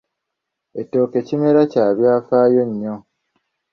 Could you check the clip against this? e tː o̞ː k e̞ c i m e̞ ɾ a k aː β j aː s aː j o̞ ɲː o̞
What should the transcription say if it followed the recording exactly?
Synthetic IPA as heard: e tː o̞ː k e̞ c i m e̞ ɾ a c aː β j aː f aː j o̞ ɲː o̞